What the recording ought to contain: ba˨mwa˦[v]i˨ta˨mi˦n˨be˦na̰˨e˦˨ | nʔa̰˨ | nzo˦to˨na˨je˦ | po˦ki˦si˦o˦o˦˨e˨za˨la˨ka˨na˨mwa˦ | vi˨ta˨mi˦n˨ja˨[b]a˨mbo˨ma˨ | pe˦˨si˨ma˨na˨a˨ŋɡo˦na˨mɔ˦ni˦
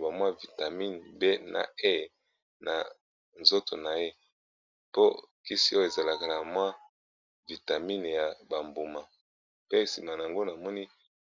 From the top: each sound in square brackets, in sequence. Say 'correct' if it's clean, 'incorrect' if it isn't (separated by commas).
correct, correct